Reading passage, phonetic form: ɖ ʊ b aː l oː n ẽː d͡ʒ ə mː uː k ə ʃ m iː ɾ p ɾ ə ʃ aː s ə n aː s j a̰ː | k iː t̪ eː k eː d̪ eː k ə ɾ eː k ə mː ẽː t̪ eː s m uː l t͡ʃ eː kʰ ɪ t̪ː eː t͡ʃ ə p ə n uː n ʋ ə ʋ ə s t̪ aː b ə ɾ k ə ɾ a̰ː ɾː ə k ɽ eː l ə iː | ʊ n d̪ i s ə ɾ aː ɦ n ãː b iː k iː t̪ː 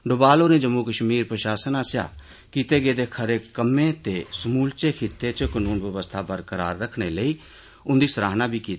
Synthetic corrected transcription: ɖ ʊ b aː l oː n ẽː d͡ʒ ə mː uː k ə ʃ m iː ɾ p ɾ ə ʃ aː s ə n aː s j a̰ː | k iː t̪ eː ɡ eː d̪ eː kʰ ə ɾ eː k ə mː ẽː t̪ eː s m uː l t͡ʃ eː kʰ ɪ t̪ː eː t͡ʃ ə k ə n uː n ʋ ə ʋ ə s t̪ʰ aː b ə ɾ k ə ɾ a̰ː ɾː ə kʰ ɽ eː l ə iː | ʊ n d̪ iː s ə ɾ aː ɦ n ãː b iː k iː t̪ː